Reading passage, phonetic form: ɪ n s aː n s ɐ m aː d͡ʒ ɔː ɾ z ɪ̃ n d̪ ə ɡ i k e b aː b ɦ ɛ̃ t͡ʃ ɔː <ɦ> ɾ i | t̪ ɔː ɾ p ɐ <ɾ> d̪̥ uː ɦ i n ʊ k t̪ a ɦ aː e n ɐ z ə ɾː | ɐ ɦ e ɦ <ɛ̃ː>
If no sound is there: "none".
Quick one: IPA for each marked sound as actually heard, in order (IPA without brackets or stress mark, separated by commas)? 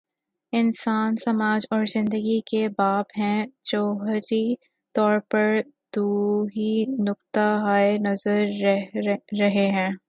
ɦ, ɾ, ɛ̃ː